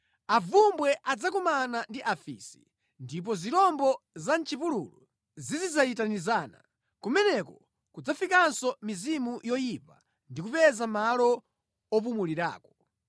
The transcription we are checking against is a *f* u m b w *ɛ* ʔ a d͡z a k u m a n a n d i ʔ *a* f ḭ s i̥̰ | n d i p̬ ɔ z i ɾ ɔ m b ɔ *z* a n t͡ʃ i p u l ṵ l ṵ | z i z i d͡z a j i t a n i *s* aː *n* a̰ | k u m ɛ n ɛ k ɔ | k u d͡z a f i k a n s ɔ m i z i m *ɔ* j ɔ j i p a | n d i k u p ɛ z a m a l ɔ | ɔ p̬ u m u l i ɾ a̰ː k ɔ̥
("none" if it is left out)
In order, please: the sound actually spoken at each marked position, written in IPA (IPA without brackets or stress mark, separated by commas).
v, ɛ, a, z, z, n, u